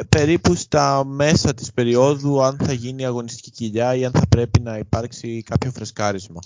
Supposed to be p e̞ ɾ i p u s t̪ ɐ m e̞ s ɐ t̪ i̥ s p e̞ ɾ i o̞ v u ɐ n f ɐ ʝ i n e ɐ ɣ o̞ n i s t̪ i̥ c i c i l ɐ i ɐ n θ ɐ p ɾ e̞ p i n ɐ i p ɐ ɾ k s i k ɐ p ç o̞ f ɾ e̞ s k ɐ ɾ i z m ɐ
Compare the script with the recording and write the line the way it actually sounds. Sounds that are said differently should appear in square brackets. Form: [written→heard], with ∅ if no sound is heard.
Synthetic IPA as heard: p e̞ ɾ i p u s t̪ ɐ m e̞ s ɐ t̪ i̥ s p e̞ ɾ i o̞ [v→ð] u ɐ n [f→θ] ɐ ʝ i n [e→i] ɐ ɣ o̞ n i s t̪ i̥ c i c i [l→ʎ] ɐ i ɐ n θ ɐ p ɾ e̞ p i n ɐ i p ɐ ɾ k s i k ɐ p ç o̞ f ɾ e̞ s k ɐ ɾ i z m ɐ